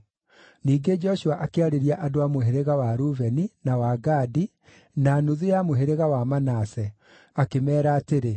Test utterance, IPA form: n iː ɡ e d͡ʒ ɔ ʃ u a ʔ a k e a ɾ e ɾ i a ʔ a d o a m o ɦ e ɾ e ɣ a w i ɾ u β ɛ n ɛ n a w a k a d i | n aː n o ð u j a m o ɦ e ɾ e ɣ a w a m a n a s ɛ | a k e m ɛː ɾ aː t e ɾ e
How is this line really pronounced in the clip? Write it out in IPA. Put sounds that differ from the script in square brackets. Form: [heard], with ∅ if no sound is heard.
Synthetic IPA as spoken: n iː ɡ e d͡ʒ ɔ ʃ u a ʔ a k e a ɾ e ɾ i a ʔ a d o a m o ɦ e ɾ e ɣ a w [a] ɾ u [v] ɛ n [i] n a w a [ɡ] a d i | n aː n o ð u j a m o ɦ e ɾ e ɣ a w a m a n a s ɛ | a k e m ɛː ɾ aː t e ɾ e